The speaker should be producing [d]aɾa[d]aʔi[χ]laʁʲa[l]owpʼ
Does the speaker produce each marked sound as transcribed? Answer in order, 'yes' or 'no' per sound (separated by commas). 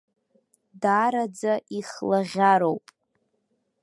yes, no, yes, no